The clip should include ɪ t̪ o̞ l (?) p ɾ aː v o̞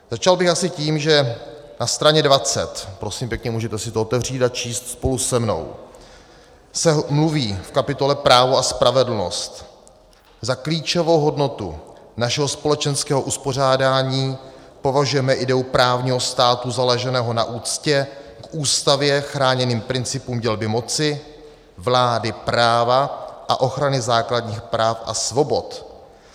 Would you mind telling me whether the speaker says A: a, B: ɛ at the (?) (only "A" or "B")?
B